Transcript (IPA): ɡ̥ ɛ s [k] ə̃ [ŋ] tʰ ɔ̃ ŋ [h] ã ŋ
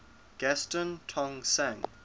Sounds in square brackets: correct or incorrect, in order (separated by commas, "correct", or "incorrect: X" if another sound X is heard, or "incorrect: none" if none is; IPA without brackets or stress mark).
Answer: incorrect: t, incorrect: n, incorrect: s